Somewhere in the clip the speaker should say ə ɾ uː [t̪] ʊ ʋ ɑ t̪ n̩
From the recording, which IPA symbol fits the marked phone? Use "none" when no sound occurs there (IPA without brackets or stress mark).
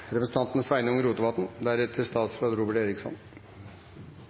t̪